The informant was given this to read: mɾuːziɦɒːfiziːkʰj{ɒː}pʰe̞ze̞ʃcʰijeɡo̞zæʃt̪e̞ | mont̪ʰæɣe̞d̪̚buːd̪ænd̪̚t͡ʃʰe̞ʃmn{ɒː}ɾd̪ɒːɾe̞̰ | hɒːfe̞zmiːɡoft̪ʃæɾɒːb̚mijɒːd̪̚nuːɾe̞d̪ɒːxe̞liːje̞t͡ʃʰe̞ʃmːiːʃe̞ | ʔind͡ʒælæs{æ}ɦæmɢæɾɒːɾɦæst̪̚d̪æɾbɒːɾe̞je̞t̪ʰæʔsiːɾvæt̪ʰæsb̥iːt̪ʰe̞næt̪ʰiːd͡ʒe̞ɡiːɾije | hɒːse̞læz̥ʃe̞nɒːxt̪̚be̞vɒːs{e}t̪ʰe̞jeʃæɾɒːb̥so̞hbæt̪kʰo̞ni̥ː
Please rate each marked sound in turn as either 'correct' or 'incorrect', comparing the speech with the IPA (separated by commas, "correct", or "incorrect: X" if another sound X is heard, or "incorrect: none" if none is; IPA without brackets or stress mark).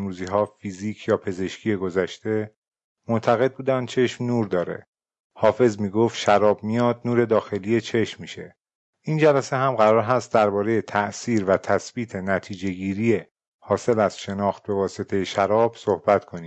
correct, incorrect: uː, incorrect: e, correct